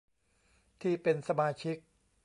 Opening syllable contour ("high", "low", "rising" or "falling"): falling